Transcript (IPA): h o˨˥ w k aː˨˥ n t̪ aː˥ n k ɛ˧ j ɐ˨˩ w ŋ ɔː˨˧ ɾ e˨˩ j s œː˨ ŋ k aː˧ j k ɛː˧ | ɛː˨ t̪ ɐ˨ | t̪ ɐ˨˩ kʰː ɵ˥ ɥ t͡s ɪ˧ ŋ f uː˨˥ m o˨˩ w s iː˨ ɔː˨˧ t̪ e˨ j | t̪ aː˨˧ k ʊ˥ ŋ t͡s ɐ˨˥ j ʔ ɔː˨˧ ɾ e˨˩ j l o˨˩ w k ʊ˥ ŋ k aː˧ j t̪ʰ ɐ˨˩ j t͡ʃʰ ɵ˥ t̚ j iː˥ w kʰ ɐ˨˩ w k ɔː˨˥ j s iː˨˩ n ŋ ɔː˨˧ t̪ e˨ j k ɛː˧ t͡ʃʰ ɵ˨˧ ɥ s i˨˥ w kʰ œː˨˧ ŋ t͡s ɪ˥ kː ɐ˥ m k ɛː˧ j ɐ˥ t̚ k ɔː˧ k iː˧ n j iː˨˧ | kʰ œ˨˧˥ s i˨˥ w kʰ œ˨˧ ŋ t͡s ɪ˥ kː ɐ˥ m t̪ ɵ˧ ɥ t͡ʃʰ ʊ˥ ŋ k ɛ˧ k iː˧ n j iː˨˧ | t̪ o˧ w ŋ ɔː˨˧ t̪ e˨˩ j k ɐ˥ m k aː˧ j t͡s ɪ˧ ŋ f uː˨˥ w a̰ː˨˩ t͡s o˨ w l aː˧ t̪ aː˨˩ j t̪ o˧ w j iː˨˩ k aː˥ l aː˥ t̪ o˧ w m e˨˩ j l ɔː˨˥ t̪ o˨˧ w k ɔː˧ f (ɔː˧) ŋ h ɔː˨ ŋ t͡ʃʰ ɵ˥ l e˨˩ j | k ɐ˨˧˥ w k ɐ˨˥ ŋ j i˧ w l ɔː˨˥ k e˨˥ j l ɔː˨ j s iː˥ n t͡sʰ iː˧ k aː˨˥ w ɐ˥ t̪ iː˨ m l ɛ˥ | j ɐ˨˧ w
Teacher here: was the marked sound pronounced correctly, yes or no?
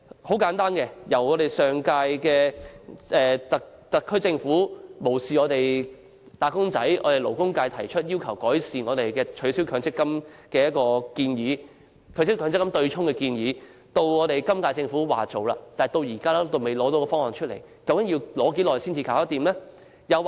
no